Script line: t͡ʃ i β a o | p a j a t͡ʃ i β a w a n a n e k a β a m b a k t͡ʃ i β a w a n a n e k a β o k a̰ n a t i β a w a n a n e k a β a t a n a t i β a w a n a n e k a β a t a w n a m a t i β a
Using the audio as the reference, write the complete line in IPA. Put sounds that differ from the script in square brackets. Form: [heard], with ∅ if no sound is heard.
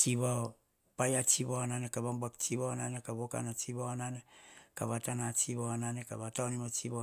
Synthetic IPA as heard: t͡ʃ i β a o | p a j a t͡ʃ i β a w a n a n e k a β a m b a k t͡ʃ i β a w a n a n e k a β o k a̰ n a [t͡ʃ] i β a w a n a n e k a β a t a n a [t͡ʃ] i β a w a n a n e k a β a t a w n [i] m a [t͡ʃ] i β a